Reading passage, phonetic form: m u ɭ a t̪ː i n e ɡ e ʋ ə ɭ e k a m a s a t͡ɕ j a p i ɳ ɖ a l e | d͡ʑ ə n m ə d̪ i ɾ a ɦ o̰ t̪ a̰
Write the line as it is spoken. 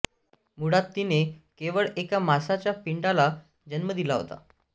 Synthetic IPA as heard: m u ɽ a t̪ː i n e k e ʋ ə ɭ e k a m a s a t͡ɕ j a p i ɳ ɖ a l a | d͡ʑ ə n m ə d̪ i l a ɦ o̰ t̪ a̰